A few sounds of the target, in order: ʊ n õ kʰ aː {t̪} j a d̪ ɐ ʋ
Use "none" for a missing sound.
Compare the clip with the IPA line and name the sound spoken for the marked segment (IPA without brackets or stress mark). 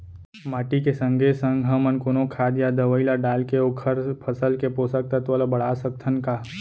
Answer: d̪